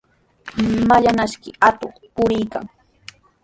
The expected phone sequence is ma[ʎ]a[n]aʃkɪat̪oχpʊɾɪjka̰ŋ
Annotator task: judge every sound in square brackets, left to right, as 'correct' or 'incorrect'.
correct, correct

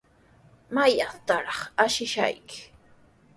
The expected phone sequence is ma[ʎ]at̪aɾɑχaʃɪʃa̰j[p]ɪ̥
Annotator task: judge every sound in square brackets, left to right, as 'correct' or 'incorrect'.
incorrect, incorrect

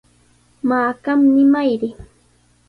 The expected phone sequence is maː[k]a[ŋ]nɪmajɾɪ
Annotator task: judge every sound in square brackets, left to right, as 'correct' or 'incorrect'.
correct, incorrect

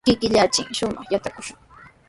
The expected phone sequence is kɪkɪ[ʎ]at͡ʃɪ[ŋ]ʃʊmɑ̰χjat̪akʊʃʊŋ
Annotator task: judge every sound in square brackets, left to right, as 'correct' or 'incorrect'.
correct, correct

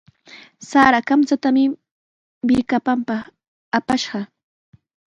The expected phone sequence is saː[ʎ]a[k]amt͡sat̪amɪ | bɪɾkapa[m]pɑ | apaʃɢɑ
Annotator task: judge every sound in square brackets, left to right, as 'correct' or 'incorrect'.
incorrect, correct, correct

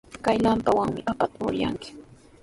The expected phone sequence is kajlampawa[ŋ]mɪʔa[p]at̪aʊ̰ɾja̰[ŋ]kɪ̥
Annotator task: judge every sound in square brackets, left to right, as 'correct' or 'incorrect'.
correct, correct, correct

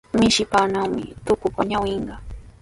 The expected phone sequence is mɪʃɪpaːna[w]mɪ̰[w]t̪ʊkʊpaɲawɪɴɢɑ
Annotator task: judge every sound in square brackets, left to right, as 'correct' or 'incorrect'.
correct, incorrect

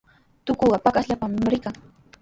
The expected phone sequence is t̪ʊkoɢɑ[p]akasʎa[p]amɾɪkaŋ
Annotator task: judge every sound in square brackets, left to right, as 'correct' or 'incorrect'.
correct, correct

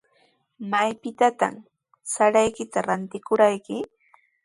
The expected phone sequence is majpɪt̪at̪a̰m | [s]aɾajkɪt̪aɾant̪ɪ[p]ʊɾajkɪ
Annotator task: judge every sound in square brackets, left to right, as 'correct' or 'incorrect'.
correct, incorrect

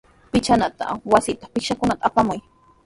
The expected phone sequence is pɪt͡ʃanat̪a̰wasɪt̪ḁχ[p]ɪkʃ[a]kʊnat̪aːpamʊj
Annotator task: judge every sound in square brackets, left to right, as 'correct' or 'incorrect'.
correct, correct

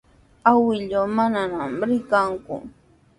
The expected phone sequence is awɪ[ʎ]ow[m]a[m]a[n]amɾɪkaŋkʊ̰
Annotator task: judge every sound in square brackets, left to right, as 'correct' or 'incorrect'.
correct, correct, incorrect, correct

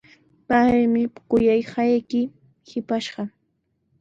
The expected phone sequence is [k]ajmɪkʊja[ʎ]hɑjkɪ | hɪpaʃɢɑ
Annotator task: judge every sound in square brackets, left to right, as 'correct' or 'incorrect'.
incorrect, incorrect

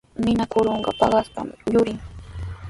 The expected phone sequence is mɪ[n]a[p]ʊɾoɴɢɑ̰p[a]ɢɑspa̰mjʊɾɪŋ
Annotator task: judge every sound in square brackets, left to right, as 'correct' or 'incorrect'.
correct, incorrect, incorrect

